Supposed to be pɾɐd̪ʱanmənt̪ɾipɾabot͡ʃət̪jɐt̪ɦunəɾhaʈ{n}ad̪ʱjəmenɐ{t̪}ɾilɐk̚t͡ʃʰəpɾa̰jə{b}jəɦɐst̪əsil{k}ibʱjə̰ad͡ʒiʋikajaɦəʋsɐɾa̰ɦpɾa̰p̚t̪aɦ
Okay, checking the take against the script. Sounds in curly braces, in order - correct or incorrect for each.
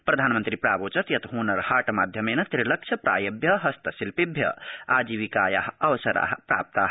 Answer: incorrect, correct, correct, incorrect

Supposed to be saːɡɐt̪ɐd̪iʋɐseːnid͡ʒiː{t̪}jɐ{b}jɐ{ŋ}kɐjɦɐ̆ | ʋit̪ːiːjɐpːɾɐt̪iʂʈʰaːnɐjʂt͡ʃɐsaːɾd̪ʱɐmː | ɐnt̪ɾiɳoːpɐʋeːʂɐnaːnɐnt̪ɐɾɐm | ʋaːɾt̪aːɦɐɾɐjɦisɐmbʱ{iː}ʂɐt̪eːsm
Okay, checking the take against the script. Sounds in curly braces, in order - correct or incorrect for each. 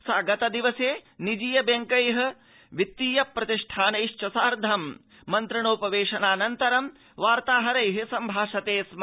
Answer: incorrect, correct, correct, incorrect

